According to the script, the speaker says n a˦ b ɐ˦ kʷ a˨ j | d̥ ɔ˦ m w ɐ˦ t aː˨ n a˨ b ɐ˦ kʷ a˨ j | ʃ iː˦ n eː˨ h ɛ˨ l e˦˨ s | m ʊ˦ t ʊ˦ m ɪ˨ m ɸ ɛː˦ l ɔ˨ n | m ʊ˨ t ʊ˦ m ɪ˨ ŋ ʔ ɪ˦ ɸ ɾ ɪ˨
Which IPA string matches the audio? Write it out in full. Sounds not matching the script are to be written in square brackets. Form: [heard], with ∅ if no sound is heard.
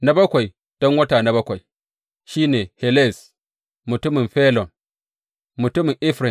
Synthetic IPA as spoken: n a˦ b ɐ˦ kʷ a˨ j | d̥ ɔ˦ [ŋ] w ɐ˦ t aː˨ n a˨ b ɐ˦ kʷ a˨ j | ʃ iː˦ n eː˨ h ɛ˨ l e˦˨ s | m [ʊ˨] t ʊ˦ m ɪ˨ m ɸ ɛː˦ l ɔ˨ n | m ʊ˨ t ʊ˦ m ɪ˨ ŋ ʔ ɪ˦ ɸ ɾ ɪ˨